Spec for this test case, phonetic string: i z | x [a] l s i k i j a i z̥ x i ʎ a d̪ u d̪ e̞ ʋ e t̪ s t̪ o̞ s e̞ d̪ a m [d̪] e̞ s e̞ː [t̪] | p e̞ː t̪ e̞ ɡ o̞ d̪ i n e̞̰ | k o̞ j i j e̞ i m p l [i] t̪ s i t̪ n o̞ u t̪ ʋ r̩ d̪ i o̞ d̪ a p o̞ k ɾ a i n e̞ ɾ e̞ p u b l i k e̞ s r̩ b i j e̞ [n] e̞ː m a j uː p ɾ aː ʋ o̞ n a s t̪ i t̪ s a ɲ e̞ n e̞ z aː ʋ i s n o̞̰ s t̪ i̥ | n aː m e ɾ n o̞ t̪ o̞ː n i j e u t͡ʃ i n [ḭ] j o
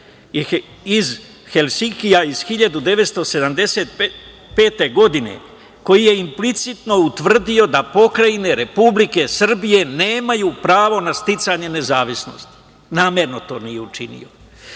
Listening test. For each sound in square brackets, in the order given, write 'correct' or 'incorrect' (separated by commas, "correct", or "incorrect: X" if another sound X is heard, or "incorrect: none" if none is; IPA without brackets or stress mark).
incorrect: e, correct, correct, correct, correct, correct